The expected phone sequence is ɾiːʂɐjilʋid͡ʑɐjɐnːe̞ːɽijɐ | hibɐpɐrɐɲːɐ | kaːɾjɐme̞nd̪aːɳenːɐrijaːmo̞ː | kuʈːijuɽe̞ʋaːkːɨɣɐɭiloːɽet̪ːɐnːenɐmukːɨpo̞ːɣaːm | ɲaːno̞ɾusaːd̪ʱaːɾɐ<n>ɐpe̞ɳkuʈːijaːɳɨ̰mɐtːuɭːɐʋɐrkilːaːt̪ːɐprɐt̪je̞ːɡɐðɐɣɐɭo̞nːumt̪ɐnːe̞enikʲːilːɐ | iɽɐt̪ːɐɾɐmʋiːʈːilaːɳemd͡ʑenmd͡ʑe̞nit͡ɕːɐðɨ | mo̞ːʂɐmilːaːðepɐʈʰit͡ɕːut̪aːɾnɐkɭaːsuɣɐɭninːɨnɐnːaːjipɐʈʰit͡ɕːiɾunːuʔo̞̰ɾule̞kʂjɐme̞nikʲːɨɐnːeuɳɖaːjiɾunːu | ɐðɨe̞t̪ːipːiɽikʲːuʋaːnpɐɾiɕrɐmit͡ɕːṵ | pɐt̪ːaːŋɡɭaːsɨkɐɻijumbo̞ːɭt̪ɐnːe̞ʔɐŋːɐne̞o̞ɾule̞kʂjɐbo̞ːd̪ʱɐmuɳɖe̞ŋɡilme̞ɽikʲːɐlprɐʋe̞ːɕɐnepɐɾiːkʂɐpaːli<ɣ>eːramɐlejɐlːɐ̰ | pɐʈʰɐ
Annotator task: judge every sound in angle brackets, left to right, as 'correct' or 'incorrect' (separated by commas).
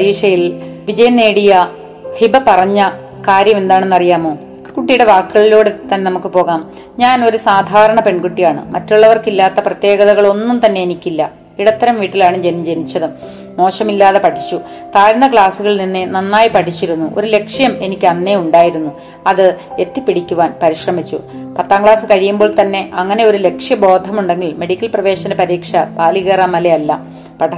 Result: incorrect, correct